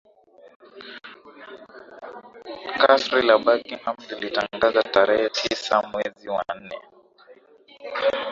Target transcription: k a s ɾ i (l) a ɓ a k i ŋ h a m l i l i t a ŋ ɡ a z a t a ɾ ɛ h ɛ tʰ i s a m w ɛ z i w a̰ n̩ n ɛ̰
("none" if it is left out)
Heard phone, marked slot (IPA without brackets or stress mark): l